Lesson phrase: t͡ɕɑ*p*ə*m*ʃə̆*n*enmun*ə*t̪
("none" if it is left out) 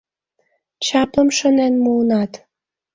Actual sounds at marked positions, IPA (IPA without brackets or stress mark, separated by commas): p, m, n, ɑ